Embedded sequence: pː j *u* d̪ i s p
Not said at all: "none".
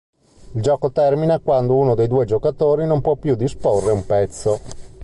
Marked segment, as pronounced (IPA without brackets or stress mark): u